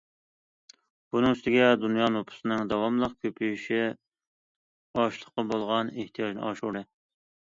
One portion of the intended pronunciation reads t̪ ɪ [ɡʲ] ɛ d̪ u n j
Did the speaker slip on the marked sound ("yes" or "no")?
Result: no